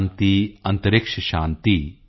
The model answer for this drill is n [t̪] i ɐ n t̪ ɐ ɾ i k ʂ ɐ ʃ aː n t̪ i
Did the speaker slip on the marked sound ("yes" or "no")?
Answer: no